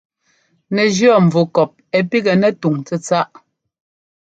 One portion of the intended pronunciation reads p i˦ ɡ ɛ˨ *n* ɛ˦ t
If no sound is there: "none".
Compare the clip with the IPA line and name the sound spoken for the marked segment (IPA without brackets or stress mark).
n